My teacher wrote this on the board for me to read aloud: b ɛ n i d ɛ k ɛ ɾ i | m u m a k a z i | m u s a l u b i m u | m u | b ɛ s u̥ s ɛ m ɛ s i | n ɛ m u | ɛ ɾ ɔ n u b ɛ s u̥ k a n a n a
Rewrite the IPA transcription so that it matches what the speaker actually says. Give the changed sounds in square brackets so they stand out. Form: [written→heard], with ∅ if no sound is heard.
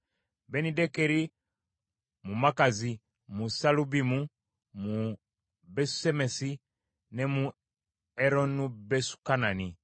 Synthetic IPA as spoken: b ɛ n i d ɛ k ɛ ɾ i | m u m a k a z i | m u s a l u b i m u | m u | b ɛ s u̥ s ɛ m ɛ s i | n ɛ m u | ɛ ɾ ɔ n u b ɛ s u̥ k a n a n [a→i]